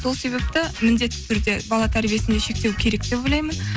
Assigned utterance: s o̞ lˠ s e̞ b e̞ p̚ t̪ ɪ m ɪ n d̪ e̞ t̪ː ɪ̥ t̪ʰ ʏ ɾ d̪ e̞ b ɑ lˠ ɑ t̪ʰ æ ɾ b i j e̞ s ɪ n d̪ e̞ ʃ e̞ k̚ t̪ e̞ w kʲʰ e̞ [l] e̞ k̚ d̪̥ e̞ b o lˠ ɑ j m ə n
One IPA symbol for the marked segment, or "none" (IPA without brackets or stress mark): ɾ